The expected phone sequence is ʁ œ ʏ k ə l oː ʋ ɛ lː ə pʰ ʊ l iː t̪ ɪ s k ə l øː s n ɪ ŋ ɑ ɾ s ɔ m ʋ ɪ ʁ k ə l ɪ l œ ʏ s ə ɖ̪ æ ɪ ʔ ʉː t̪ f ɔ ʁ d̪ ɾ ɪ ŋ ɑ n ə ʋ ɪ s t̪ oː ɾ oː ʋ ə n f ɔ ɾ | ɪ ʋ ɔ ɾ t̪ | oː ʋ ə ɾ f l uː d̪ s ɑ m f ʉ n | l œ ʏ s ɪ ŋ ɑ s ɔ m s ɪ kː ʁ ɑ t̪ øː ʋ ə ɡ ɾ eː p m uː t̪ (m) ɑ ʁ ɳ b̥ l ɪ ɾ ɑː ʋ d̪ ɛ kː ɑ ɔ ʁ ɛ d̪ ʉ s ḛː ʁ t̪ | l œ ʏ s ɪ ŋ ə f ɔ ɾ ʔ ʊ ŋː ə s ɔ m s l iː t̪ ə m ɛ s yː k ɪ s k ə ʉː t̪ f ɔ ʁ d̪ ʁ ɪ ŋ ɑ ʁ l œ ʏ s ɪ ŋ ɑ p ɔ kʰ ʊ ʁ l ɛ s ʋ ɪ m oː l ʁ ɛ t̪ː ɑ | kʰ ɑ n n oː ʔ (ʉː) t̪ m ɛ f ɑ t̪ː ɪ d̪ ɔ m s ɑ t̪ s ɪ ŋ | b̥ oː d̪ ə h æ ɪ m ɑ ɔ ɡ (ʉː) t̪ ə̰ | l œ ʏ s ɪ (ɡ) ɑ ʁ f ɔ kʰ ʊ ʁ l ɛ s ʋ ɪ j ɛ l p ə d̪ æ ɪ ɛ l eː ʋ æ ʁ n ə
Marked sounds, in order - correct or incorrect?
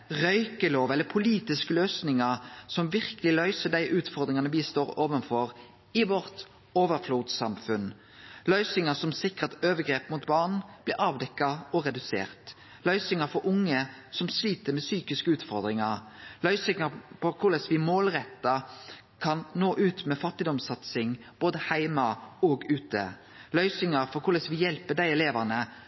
incorrect, correct, correct, incorrect

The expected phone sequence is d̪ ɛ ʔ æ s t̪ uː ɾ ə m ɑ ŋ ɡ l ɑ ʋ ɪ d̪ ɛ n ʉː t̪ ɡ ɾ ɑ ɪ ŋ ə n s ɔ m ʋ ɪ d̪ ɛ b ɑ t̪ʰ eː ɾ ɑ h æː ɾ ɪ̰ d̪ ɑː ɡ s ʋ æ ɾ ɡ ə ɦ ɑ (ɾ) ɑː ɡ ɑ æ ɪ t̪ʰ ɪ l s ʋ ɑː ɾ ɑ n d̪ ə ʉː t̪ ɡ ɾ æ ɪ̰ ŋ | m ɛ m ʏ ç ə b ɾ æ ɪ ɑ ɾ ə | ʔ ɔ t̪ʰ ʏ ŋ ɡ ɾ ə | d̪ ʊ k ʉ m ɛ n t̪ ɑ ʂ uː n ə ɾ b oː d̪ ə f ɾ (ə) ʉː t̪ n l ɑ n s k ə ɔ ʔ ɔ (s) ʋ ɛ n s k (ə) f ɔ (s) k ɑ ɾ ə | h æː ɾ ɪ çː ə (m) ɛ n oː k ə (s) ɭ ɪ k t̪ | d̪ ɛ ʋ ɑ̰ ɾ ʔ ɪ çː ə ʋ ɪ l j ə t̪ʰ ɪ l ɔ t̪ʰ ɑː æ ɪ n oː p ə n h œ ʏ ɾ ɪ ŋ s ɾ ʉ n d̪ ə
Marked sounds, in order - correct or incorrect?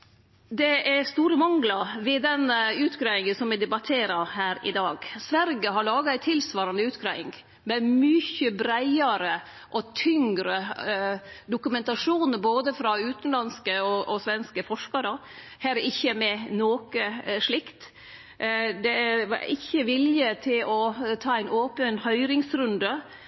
incorrect, incorrect, correct, correct, incorrect, correct, incorrect

